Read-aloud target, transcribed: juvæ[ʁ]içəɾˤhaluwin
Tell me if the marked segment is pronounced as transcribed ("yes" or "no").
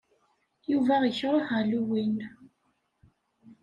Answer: yes